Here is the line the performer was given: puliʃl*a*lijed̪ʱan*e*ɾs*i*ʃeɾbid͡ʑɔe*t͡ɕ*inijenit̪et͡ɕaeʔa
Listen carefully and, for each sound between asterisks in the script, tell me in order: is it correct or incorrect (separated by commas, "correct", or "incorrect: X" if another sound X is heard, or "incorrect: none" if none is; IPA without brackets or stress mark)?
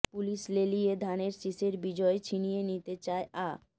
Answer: incorrect: e, correct, correct, incorrect: t͡ɕʰ